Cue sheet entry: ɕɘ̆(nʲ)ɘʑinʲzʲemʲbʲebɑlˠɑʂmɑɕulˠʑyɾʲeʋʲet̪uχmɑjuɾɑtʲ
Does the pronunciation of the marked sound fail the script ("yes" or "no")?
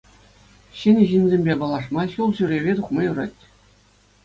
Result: no